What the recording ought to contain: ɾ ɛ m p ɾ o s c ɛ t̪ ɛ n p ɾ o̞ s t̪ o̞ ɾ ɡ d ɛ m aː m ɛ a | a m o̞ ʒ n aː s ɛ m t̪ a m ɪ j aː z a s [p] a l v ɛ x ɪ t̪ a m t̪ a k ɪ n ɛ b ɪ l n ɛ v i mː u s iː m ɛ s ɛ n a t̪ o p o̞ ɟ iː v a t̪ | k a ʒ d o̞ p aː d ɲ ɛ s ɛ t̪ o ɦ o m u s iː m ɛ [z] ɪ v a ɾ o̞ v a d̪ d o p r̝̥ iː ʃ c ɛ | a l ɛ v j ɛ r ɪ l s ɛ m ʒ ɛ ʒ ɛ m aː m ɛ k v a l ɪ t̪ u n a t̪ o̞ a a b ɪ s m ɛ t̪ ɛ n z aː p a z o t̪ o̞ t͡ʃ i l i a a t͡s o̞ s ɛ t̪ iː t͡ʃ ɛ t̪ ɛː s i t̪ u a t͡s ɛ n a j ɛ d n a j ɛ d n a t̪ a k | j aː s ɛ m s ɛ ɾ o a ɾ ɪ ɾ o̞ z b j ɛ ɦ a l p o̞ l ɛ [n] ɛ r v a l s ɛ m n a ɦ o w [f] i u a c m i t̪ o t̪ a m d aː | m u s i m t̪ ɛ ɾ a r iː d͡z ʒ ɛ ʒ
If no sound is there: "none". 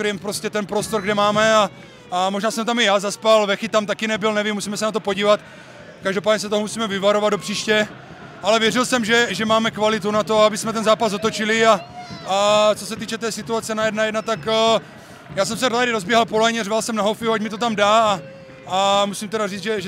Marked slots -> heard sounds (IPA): p, v, ɲ, f

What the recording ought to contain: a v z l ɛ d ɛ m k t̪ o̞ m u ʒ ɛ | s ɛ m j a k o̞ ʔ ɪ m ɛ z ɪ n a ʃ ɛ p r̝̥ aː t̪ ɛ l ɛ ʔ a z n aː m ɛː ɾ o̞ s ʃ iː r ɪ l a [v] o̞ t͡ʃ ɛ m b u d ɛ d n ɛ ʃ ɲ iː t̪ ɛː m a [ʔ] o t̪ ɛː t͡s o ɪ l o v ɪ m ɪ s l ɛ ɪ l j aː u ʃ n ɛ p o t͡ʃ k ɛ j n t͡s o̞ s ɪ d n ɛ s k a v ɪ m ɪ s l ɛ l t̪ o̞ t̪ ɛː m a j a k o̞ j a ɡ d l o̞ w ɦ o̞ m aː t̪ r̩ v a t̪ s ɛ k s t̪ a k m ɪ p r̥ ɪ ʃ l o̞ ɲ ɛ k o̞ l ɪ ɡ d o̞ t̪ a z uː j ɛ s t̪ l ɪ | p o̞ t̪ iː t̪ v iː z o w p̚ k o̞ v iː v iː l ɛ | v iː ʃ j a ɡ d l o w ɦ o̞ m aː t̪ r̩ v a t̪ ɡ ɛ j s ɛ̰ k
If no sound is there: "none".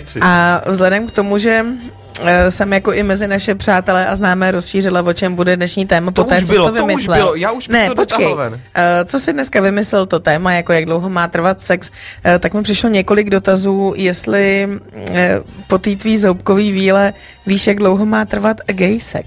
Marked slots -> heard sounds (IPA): v, p

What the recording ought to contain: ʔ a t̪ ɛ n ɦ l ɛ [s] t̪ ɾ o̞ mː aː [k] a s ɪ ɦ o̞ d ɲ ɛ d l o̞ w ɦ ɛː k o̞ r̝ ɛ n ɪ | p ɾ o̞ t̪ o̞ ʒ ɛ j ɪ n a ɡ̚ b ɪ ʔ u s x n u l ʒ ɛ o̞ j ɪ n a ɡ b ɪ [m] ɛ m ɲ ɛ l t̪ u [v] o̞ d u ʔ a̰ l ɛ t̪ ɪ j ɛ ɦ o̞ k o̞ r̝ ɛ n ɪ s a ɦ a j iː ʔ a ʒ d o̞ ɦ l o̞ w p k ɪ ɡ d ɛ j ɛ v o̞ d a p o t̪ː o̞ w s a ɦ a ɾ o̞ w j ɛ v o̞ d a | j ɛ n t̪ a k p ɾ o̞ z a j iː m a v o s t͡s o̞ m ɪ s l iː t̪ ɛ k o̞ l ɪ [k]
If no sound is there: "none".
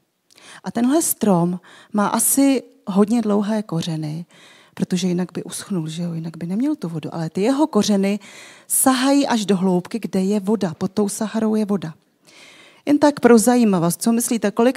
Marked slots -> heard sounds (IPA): s, ʔ, n, v, k

